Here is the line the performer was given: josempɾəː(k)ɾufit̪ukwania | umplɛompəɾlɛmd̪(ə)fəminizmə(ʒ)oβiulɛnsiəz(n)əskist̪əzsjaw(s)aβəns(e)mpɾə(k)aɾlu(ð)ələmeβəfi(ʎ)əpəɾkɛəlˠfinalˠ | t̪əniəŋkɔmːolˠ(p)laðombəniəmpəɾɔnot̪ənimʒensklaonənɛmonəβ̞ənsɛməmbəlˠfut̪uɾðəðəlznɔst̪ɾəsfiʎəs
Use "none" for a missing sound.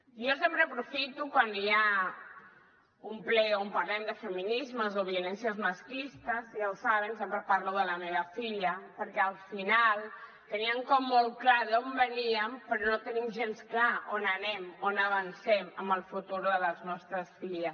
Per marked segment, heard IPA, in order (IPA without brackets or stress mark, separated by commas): p, ə, z, m, s, e, p, ð, ʎ, k